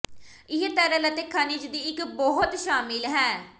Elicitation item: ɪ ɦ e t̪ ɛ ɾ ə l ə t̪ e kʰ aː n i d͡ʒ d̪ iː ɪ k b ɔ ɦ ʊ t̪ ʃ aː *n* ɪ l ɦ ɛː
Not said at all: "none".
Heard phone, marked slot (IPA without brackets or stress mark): m